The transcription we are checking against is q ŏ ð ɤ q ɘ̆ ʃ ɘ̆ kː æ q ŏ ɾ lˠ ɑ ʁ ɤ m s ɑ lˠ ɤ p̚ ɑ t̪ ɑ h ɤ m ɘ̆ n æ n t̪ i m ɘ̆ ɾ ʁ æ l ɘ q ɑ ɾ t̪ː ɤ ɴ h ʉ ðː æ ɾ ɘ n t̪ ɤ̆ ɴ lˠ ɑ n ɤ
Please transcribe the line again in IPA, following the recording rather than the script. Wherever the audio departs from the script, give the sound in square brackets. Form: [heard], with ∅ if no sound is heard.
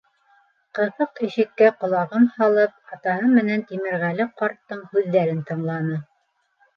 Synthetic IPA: q [ɤ̆] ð ɤ q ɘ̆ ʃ ɘ̆ kː æ q ŏ [∅] lˠ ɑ ʁ ɤ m [h] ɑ lˠ ɤ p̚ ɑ t̪ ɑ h ɤ m ɘ̆ n æ n t̪ i m ɘ̆ ɾ ʁ æ l ɘ q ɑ ɾ t̪ː ɤ ɴ h ʉ ðː æ ɾ ɘ n t̪ ɤ̆ ɴ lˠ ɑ n ɤ